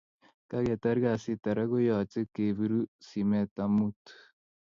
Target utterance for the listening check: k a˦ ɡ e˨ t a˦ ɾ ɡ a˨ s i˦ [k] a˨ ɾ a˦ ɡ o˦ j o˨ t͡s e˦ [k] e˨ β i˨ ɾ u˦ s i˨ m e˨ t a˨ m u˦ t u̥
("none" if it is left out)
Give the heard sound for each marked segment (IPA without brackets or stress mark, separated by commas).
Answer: t, k